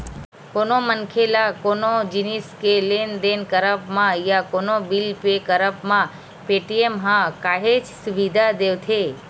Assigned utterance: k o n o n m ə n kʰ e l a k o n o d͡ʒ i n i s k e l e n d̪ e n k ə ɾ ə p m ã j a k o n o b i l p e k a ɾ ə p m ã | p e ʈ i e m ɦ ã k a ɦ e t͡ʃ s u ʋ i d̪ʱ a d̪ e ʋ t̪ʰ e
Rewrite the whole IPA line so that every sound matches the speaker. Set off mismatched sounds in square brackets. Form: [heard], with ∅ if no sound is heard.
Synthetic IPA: k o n o [∅] m ə n kʰ e l a k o n o d͡ʒ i n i s k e l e n d̪ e n k ə ɾ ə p m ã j a k o n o b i l p e k [ə] ɾ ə p m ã | p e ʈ i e m ɦ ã k a ɦ e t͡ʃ s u ʋ i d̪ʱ a d̪ e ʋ t̪ʰ e